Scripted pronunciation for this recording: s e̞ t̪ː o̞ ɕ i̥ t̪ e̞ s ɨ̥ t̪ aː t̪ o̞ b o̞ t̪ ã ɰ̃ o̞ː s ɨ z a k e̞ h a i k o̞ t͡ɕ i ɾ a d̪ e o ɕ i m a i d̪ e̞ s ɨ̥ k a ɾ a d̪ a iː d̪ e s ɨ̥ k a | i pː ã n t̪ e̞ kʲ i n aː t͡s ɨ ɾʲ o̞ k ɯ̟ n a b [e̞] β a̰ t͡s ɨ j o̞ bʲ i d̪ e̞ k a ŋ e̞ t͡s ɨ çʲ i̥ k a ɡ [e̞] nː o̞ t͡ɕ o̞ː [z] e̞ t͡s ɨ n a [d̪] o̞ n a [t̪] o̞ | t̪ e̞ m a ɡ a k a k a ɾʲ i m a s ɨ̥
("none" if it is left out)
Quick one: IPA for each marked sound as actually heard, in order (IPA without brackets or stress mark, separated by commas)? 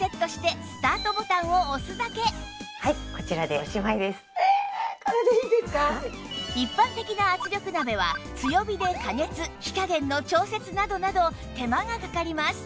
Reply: e̞, ẽ̞, s, d̪, d̪